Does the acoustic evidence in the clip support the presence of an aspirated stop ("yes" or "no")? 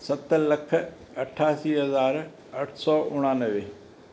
yes